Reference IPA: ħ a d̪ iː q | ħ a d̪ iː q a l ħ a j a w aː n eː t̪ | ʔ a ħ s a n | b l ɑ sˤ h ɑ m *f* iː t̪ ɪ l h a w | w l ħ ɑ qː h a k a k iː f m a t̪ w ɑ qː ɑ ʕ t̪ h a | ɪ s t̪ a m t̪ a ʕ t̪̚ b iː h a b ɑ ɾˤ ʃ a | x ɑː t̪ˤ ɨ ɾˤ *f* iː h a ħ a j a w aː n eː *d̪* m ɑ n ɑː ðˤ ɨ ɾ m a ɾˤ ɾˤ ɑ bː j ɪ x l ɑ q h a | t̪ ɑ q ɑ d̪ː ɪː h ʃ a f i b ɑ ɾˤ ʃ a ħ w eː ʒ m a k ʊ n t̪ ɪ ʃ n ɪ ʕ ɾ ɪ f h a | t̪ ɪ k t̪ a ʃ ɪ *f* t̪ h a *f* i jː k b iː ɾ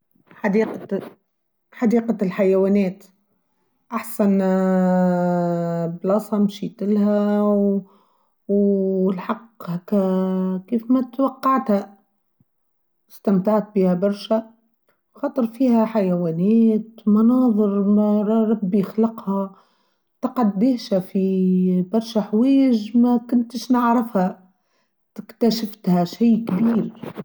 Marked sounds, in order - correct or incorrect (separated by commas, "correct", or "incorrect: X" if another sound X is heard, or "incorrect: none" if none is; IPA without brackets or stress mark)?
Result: incorrect: ʃ, correct, incorrect: t̪, correct, incorrect: ʃ